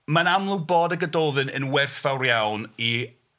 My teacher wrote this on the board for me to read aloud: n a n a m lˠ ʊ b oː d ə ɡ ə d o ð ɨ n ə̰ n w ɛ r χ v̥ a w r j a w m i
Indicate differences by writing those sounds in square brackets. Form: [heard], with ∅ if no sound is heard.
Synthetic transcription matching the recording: [m] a n a m lˠ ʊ b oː d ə ɡ ə d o ð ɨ n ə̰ n w ɛ r [θ] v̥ a w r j a w [n] i